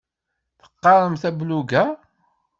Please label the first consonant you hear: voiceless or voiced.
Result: voiceless